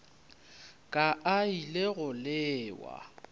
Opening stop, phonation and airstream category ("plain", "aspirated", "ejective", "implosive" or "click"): ejective